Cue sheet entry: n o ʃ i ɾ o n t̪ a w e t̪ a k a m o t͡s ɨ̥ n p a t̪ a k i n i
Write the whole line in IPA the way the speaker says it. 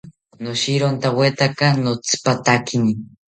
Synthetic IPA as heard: n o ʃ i ɾ o n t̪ a w e t̪ a k a n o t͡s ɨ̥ p a t̪ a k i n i